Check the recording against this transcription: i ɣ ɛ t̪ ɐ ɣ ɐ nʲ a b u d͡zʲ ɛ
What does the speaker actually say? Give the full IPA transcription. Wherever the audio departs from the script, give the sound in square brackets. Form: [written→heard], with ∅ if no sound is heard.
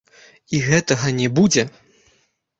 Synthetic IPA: i ɣ ɛ t̪ ɐ ɣ ɐ nʲ [a→ɛ] b u d͡zʲ ɛ